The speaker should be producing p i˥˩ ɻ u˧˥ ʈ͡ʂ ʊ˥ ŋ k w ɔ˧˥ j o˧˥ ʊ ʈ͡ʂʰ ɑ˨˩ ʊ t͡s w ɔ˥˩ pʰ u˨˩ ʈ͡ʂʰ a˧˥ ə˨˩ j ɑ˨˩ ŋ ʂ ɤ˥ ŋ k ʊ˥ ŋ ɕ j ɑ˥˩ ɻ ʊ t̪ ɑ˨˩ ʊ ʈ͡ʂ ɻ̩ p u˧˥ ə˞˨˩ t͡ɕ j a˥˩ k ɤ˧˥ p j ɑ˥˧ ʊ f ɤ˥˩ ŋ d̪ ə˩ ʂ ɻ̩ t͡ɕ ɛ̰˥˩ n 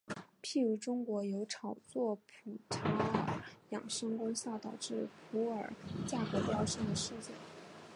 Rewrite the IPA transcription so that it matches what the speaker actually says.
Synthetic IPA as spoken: pʰ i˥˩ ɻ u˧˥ ʈ͡ʂ ʊ˥ ŋ k w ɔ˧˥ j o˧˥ ʊ ʈ͡ʂʰ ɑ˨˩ ʊ t͡s w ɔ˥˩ pʰ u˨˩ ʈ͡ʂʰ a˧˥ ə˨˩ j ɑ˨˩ ŋ ʂ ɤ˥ ŋ k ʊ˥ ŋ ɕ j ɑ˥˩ ʊ t̪ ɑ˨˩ ʊ ʈ͡ʂ ɻ̩ pʰ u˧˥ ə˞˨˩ t͡ɕ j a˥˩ k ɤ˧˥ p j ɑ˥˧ ʊ ʂ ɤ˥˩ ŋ d̪ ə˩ ʂ ɻ̩ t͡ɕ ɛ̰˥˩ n

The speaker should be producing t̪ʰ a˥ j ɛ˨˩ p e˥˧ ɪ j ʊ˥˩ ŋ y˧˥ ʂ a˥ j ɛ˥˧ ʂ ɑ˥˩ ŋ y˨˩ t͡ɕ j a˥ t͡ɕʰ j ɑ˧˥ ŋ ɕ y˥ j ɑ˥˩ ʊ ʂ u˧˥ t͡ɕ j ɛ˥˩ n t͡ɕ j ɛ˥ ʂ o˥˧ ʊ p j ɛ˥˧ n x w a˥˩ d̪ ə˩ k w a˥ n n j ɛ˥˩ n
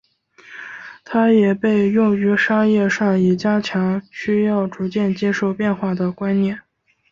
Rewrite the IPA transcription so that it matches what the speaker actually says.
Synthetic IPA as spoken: t̪ʰ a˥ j ɛ˨˩ p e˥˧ ɪ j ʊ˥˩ ŋ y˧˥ ʂ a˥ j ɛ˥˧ ʂ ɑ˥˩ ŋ i˨˩ t͡ɕ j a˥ t͡ɕʰ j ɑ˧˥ ŋ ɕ y˥ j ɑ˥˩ ʊ ʈ͡ʂ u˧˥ t͡ɕ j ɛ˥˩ n t͡ɕ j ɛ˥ ʂ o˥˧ ʊ p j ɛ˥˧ n x w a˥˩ d̪ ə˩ k w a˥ n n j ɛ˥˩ n

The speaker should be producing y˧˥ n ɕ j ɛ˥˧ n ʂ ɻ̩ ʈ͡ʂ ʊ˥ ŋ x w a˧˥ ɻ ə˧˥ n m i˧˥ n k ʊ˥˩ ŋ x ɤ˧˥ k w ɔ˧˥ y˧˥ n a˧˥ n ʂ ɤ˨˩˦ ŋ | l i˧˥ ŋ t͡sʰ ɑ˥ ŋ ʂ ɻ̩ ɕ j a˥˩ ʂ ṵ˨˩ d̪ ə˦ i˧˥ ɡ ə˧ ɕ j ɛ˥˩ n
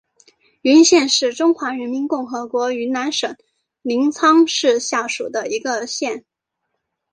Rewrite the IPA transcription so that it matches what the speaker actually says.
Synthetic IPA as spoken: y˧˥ n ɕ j ɛ˥˧ n ʂ ɻ̩ ʈ͡ʂ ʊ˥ ŋ x w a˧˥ ɻ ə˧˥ n m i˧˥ n k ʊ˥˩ ŋ x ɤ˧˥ k w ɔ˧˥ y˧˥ n a˧˥ n ʂ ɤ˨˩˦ ŋ | l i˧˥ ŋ t͡sʰ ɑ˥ ŋ ʂ ɻ̩ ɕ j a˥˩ ʂ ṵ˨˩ d̪ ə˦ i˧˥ ɡ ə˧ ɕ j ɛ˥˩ n

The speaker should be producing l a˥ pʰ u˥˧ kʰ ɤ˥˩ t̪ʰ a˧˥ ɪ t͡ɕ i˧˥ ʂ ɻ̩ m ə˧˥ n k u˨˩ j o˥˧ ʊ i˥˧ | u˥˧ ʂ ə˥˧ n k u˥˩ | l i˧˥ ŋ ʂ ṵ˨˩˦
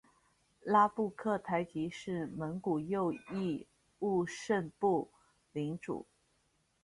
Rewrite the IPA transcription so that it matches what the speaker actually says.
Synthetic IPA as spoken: l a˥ p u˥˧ kʰ ɤ˥˩ t̪ʰ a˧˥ ɪ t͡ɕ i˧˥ ʂ ɻ̩ m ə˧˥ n k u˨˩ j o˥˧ ʊ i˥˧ | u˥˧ ʂ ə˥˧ n p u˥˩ | l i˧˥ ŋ ʈ͡ʂ ṵ˨˩˦

